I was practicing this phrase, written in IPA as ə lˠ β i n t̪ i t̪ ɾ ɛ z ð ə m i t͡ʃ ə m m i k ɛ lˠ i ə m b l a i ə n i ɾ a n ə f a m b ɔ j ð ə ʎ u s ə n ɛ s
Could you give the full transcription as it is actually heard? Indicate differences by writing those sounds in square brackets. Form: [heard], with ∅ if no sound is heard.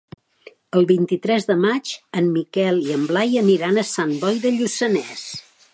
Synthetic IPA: ə lˠ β i n t̪ i t̪ ɾ ɛ z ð ə m [a] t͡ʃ ə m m i k ɛ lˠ i ə m b l a [j] ə n i ɾ a n ə [s] a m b ɔ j ð ə ʎ u s ə n ɛ s